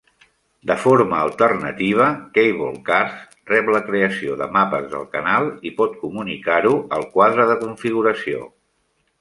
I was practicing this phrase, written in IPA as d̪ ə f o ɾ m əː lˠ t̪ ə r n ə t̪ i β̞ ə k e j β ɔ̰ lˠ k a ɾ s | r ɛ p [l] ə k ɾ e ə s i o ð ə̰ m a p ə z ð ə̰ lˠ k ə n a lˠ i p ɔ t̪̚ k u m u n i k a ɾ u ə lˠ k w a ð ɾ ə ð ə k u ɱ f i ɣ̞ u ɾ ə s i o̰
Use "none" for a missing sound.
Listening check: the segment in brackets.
l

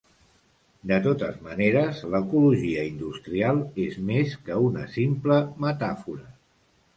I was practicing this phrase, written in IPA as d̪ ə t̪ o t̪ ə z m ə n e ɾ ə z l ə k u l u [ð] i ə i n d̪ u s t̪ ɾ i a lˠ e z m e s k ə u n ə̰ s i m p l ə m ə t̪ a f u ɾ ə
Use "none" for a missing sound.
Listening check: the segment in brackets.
ʒ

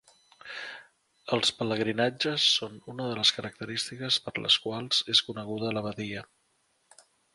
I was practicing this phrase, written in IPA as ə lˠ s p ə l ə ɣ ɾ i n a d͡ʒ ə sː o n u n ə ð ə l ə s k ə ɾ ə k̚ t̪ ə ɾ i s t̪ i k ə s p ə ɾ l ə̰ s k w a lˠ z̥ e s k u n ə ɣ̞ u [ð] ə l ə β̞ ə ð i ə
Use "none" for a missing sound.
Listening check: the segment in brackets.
ð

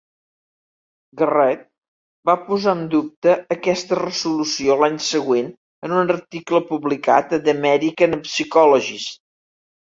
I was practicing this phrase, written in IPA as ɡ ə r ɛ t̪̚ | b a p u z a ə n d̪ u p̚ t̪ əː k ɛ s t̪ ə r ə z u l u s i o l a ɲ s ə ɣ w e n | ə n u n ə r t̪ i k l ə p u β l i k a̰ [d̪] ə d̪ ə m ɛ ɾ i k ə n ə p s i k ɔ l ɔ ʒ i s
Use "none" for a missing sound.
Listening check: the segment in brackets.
t̪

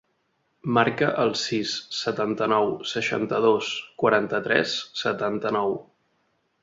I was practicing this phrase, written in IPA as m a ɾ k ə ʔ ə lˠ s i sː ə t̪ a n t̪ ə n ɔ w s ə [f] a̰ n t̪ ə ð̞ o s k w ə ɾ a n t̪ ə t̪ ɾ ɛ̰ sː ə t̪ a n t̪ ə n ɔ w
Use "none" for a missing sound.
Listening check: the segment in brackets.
ʃ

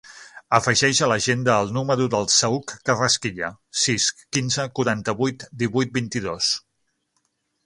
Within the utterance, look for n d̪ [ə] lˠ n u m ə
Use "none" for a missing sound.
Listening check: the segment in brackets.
əː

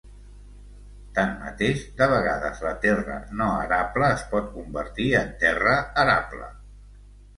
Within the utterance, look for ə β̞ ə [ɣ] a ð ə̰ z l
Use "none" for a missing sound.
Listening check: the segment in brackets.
ɣ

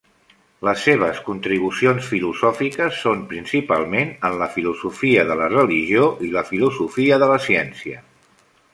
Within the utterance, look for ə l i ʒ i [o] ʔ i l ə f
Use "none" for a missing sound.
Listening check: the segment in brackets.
o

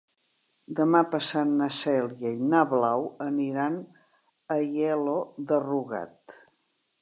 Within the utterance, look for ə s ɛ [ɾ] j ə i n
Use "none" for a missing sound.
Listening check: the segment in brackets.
l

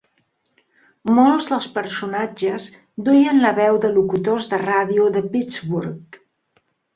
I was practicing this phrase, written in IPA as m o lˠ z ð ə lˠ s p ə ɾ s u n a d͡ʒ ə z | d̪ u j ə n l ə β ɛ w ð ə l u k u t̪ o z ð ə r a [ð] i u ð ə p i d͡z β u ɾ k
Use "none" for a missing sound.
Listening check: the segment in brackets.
ð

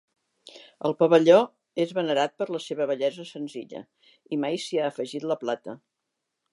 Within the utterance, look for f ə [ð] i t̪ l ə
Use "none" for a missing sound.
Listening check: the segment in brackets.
ʒ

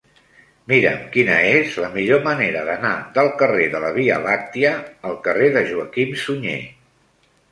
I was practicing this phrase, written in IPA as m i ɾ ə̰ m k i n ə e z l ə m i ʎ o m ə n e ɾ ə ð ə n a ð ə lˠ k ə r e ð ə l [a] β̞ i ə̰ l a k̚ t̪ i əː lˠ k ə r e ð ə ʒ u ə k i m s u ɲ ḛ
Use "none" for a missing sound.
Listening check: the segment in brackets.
ə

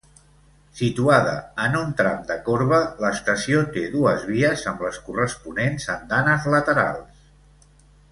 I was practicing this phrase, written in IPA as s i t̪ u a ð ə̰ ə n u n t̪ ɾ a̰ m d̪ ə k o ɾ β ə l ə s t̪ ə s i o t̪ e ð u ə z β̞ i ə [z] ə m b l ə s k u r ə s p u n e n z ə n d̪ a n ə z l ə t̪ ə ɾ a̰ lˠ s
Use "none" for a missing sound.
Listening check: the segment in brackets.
z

